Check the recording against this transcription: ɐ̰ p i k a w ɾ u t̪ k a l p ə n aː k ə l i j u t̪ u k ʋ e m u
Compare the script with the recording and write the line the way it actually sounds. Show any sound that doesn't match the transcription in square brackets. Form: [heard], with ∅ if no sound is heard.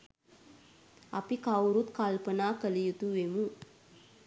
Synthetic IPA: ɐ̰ p i k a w ɾ u t̪ k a l p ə n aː k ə l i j u t̪ u [∅] ʋ e m u